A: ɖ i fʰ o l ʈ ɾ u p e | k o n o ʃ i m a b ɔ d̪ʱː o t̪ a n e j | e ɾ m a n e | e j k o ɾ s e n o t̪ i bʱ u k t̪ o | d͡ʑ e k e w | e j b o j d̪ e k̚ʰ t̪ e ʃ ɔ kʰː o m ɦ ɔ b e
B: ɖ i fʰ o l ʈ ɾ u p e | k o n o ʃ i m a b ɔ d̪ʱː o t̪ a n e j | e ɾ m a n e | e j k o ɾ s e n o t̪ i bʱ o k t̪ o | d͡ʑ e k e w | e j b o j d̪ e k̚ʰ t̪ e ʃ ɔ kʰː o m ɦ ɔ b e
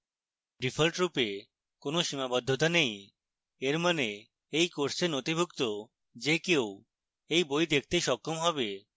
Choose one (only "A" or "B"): A